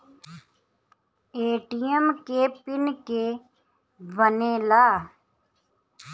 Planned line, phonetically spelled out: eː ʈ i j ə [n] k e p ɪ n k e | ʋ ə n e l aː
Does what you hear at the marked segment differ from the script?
yes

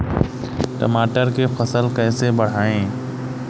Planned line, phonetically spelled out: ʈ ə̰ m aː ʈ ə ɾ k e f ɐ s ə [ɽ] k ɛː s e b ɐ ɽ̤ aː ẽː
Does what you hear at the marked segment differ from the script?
yes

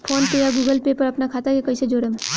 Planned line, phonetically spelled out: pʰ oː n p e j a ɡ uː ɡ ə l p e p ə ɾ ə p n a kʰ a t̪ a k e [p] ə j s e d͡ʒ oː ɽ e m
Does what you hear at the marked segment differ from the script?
yes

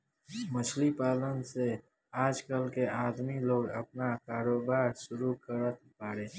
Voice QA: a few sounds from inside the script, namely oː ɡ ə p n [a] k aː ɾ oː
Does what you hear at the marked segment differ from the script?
no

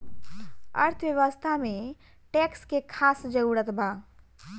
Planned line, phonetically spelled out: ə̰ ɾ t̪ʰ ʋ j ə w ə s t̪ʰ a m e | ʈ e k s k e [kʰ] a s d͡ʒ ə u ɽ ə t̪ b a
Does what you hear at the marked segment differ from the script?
no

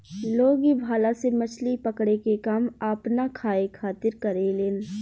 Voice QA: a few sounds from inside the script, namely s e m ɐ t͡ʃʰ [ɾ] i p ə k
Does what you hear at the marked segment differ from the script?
yes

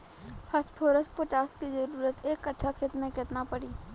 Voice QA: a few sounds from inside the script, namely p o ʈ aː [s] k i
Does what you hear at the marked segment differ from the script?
no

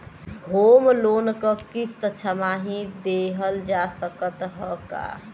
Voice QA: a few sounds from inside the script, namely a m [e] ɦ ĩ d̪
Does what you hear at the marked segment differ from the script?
yes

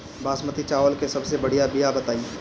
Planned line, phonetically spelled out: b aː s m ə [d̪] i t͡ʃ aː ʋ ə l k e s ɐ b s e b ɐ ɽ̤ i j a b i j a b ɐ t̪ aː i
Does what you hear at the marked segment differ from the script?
yes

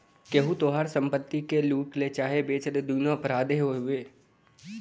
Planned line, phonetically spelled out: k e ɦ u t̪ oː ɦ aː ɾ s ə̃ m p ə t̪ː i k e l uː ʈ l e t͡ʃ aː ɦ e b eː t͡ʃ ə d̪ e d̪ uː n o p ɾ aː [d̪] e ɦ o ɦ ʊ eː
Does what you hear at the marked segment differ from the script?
no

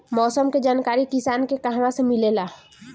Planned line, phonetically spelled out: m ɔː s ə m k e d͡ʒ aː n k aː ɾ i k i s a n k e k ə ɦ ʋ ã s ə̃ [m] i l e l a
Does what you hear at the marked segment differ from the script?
no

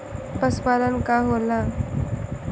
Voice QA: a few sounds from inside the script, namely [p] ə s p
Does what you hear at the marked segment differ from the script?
no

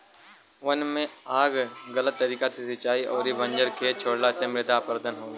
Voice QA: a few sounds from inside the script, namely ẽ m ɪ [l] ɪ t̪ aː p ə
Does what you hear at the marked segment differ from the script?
yes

